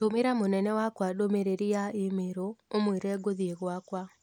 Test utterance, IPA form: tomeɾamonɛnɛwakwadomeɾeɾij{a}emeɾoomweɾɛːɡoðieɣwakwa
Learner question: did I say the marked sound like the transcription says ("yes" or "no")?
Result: yes